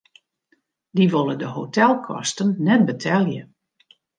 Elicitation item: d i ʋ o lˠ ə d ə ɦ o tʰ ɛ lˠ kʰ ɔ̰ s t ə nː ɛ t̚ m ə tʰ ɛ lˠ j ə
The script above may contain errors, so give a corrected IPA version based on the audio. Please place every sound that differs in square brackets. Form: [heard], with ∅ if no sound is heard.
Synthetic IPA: d i ʋ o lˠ ə d ə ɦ o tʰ ɛ lˠ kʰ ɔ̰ s t ə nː ɛ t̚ [b] ə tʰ ɛ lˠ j ə